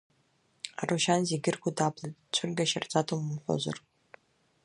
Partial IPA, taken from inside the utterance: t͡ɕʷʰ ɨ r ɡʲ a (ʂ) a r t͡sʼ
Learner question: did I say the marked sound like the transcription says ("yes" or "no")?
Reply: no